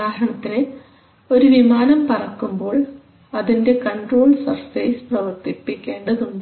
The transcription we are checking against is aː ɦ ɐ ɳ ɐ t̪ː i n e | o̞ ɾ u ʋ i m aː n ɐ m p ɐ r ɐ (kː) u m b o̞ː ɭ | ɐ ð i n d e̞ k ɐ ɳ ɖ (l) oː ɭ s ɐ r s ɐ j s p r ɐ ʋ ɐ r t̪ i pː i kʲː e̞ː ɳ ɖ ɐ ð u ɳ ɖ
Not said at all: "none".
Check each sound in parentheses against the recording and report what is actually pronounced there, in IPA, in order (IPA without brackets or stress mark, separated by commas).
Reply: kː, r